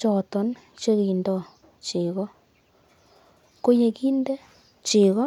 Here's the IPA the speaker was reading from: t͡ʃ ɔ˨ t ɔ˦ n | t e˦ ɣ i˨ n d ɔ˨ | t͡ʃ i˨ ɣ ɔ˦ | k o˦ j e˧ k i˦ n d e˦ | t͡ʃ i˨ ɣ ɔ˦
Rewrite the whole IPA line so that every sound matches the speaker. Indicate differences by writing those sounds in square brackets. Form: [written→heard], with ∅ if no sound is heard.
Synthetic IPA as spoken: t͡ʃ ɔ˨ t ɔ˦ n | [t→t͡ʃ] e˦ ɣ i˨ n d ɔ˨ | t͡ʃ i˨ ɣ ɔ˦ | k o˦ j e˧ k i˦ n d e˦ | t͡ʃ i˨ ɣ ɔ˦

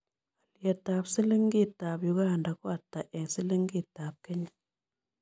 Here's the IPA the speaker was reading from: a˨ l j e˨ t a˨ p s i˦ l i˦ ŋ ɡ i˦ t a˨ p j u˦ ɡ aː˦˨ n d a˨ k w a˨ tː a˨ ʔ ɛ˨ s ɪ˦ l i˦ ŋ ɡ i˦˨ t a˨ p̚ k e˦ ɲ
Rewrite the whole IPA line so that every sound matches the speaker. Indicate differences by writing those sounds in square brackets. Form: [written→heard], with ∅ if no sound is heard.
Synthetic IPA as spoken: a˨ l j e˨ t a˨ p s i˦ l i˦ ŋ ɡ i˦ t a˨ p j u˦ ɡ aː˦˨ n d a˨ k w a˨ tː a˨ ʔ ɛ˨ s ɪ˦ l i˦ ŋ ɡ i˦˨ t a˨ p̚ k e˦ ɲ

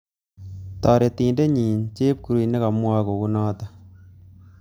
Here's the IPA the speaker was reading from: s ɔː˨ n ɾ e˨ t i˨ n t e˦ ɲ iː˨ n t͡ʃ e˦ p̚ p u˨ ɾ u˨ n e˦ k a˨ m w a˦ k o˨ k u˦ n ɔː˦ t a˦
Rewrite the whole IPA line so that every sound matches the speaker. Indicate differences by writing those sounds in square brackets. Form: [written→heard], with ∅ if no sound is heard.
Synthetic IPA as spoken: [s→t] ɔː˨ [n→∅] ɾ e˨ t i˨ n [t→d] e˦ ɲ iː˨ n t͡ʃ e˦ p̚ [p→k] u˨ ɾ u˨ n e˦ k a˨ m w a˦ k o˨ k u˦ n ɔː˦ t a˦

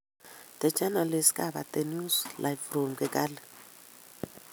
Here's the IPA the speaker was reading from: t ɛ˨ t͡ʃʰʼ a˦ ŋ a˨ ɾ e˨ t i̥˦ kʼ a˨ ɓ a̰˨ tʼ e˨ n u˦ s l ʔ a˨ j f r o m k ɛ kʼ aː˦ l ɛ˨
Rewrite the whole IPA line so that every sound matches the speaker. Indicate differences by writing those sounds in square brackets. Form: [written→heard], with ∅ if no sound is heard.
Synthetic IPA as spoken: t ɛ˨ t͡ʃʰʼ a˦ [ŋ→n] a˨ [ɾ→l] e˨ [t→s] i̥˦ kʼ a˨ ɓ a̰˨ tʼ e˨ n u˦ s l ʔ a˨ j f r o m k ɛ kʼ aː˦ l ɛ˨

